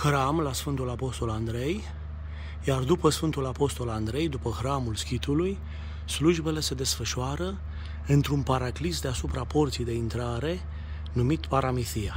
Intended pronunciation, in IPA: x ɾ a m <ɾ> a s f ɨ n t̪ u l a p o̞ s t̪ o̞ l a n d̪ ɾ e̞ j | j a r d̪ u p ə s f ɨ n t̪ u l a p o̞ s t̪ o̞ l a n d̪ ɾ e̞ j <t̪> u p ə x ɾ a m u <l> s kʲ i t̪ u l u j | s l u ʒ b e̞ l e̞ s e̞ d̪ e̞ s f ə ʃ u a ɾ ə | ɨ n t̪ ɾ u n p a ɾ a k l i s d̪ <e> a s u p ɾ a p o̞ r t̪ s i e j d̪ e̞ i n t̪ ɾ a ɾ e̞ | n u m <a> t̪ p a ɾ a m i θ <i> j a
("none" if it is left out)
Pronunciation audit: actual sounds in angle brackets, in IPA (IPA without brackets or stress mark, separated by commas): l, d̪, l, e, i, i